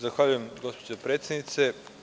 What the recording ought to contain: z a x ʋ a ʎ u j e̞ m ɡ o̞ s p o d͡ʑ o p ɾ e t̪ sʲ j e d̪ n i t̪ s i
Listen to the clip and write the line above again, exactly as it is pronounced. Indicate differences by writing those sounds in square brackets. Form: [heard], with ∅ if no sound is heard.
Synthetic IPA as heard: z a x ʋ a ʎ u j e̞ m ɡ o̞ s p o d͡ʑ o p ɾ e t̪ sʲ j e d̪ n i t̪ s [e]

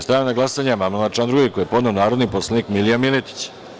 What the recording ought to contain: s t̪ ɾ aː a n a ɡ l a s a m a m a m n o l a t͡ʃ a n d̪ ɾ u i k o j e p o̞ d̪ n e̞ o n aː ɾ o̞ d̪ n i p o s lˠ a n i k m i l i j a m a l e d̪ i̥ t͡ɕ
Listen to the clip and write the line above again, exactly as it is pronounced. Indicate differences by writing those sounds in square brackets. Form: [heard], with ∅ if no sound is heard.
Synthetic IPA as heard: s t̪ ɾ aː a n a ɡ l a s a [ɲ] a m a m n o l a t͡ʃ a n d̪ ɾ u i k o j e p o̞ d̪ n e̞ o n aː ɾ o̞ d̪ n i p o s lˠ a n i k m i l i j a m [i] l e [t̪] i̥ t͡ɕ

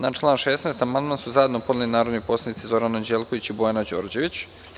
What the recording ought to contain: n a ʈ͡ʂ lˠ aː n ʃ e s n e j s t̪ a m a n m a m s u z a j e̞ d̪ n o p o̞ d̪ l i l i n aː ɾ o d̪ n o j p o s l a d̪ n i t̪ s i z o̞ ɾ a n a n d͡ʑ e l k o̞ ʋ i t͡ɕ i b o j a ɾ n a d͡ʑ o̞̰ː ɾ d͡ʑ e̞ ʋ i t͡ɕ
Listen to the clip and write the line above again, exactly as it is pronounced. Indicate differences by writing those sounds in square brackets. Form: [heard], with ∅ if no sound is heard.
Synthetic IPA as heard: n a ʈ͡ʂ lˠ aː n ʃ e s n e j s t̪ a m a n m a [n] s u z a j e̞ d̪ n o p o̞ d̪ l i l i n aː ɾ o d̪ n o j p o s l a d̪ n i t̪ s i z o̞ ɾ a n a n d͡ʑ e l k o̞ ʋ i t͡ɕ i b o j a [∅] n a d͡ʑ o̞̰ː ɾ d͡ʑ e̞ ʋ i t͡ɕ

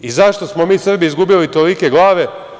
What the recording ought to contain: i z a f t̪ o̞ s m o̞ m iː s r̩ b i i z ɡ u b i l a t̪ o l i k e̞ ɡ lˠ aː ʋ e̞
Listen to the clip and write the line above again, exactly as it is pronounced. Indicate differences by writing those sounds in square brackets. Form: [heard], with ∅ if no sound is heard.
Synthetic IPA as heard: i z a [ʃ] t̪ o̞ s m o̞ m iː s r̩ b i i z ɡ u b i l [i] t̪ o l i k e̞ ɡ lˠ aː ʋ e̞

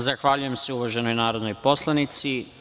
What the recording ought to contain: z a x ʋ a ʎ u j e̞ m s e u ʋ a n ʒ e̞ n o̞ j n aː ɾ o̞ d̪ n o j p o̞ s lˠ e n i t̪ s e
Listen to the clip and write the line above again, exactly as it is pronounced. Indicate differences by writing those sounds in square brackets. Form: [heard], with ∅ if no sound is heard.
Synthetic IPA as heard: z a x ʋ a ʎ u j e̞ m s e u ʋ a [∅] ʒ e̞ n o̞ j n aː ɾ o̞ d̪ n o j p o̞ s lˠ [a] n i t̪ s [i]

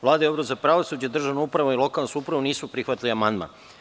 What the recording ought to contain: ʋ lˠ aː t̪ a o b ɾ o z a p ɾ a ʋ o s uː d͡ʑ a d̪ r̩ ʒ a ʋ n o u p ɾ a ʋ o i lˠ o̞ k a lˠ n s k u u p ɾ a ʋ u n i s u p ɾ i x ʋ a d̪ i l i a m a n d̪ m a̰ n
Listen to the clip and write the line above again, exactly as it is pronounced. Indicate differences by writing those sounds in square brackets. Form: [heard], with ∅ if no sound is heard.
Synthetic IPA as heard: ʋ lˠ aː [d̪] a o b ɾ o z a p ɾ a ʋ o s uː d͡ʑ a d̪ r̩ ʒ a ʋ n o u p ɾ a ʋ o i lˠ o̞ k a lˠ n s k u u p ɾ a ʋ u n [iː] s u p ɾ i x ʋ a [t̪] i l i a m a n d̪ m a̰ n

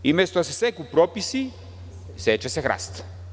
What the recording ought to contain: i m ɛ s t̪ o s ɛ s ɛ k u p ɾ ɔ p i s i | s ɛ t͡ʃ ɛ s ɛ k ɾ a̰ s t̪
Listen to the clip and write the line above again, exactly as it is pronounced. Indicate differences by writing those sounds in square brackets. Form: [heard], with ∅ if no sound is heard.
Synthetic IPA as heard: i m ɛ s t̪ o s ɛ s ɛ k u p ɾ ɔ p i s i | s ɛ t͡ʃ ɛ s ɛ [x] ɾ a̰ s t̪

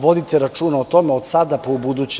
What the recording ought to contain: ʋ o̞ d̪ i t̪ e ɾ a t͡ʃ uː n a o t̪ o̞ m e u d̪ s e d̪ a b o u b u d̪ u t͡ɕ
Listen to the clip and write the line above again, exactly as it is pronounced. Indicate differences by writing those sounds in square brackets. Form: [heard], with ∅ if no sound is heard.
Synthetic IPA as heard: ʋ o̞ d̪ i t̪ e ɾ a t͡ʃ uː n a o t̪ o̞ m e [o] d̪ s [a] d̪ a [p] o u b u d̪ u t͡ɕ

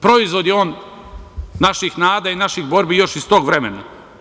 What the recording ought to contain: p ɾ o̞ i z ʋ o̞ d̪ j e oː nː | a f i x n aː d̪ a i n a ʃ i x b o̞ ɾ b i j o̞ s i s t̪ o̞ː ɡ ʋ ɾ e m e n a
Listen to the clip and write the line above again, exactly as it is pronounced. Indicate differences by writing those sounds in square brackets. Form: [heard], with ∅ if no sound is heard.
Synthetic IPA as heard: p ɾ o̞ i z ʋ o̞ d̪ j e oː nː | a [ʃ] i x n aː d̪ a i n a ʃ i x b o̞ ɾ b i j o̞ [ʃ] i s t̪ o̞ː ɡ ʋ ɾ e m e n a

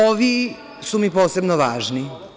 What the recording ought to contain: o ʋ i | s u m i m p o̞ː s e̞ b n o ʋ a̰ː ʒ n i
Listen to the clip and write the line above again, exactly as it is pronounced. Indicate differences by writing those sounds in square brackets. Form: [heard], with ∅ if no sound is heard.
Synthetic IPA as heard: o ʋ i | s u m i [∅] p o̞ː s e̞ b n o ʋ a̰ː ʒ n i

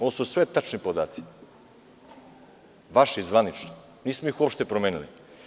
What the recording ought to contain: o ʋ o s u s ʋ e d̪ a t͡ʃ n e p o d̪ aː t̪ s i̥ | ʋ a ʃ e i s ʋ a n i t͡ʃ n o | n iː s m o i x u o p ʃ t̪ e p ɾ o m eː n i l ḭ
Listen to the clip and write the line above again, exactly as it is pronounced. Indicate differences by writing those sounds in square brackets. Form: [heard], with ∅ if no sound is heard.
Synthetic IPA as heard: o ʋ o s u s ʋ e [t̪] a t͡ʃ n [i] p o d̪ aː t̪ s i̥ | ʋ a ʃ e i [z] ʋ a n i t͡ʃ n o | n iː s m o i x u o p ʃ t̪ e p ɾ o m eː n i l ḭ

